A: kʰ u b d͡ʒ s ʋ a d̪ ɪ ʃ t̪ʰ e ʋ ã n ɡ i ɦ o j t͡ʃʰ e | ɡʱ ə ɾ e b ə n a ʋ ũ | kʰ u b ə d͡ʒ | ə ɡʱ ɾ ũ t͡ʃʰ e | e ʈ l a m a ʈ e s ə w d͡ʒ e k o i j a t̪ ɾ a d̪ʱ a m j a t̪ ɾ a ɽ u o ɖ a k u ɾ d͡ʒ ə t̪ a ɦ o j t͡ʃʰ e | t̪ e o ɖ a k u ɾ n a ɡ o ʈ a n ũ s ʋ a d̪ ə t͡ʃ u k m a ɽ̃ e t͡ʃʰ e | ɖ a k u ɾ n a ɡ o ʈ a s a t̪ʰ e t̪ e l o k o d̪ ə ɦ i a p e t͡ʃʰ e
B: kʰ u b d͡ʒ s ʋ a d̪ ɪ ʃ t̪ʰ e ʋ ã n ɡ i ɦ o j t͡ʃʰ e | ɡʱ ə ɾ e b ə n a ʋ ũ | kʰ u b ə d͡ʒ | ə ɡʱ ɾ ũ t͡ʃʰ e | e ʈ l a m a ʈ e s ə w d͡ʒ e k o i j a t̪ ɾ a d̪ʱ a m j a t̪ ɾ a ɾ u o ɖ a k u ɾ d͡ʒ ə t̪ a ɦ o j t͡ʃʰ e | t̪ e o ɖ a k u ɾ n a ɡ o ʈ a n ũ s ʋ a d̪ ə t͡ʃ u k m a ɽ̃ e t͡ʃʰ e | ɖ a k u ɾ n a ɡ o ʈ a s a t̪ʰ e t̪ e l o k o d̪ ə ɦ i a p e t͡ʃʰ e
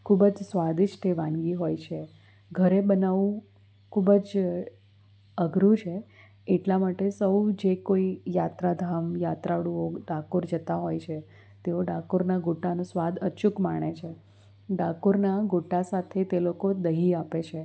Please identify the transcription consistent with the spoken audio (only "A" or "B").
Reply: A